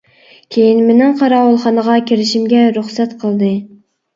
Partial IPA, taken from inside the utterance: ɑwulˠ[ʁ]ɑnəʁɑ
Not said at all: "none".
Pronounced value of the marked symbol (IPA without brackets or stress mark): χ